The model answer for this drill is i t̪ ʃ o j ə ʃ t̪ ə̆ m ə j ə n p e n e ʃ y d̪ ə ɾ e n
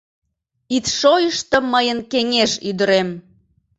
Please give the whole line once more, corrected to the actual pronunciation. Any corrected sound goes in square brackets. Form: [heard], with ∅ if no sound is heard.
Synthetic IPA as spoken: i t̪ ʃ o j ə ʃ t̪ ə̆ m ə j ə n [k] e [ŋ] e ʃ y d̪ ə ɾ e [m]